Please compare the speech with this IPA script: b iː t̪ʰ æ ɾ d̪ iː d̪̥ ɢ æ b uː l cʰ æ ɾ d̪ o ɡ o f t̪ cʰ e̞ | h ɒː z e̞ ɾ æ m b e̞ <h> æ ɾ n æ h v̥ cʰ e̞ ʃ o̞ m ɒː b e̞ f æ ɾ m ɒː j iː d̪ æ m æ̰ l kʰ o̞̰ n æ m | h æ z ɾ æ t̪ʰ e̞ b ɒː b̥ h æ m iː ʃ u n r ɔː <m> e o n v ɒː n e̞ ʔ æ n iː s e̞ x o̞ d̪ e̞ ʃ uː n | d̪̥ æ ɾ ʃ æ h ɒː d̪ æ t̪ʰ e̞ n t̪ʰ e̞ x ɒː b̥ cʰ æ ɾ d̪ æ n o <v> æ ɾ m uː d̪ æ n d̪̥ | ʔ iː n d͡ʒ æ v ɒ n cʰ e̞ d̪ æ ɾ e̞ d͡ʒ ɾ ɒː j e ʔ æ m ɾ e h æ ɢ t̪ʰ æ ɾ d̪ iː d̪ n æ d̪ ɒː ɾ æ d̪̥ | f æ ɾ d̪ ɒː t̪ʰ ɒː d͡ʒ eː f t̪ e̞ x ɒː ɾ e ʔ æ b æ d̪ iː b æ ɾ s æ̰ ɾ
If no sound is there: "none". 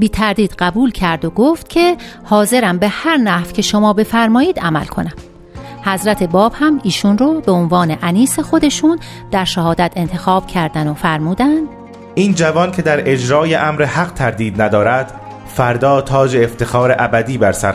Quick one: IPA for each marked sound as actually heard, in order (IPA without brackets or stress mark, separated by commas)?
h, b, f